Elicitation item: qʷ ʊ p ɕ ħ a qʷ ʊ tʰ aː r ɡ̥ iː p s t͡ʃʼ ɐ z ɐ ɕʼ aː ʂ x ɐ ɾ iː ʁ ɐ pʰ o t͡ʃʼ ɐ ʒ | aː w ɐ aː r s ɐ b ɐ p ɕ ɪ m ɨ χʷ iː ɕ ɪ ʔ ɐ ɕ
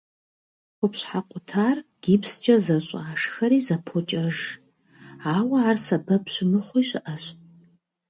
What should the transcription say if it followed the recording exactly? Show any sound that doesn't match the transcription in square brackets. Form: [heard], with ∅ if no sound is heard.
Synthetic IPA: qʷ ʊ p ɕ ħ a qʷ ʊ tʰ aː r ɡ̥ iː p s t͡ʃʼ ɐ z ɐ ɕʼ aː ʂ x ɐ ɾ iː [z] ɐ pʰ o t͡ʃʼ ɐ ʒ | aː w ɐ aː r s ɐ b ɐ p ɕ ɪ m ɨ χʷ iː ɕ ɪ ʔ ɐ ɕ